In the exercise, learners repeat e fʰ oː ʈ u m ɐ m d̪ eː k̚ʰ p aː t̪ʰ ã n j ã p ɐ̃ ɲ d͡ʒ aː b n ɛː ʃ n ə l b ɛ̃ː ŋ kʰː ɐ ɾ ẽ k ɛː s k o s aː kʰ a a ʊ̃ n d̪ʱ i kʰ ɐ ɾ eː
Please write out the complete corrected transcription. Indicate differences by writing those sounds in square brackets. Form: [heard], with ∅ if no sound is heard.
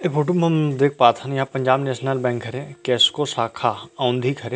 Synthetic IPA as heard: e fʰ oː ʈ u m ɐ m d̪ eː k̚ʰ p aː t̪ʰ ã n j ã p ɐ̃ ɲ d͡ʒ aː b n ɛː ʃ n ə l b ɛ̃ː ŋ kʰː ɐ ɾ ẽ k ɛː s k o s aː kʰ a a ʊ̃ n d̪ʱ i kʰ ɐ ɾ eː